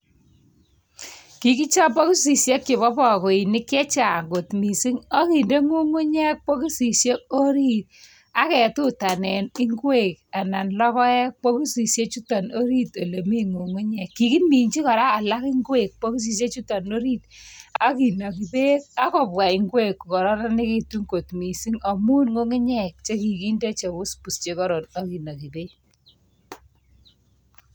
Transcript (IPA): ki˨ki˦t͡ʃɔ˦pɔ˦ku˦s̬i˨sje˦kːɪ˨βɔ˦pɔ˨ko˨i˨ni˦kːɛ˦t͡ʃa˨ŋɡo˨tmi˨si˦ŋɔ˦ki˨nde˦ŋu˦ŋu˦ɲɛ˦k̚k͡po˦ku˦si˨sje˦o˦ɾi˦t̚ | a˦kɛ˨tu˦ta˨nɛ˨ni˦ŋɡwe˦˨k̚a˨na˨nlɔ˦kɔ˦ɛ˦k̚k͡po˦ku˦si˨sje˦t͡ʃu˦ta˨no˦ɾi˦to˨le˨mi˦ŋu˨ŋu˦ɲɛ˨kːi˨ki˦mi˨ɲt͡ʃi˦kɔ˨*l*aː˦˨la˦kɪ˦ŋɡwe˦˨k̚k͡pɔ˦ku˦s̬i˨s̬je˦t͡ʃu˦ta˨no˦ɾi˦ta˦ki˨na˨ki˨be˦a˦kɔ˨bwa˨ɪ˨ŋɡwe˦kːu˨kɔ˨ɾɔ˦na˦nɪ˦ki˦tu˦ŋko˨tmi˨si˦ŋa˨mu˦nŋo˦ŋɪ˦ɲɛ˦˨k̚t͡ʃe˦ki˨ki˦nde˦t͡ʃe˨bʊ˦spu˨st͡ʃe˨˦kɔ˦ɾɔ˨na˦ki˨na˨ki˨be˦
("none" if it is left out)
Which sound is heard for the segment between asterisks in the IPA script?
ɾ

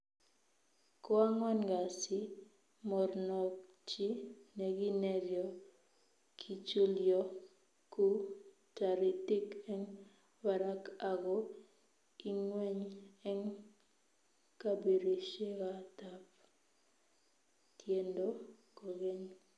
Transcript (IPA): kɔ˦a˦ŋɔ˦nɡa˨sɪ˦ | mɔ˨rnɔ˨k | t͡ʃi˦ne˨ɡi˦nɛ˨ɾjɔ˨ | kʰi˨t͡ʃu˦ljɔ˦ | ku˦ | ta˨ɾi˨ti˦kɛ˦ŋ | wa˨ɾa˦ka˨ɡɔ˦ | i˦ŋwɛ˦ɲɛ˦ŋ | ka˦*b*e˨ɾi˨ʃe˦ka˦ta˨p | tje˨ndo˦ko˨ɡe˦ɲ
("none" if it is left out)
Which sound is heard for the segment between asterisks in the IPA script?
b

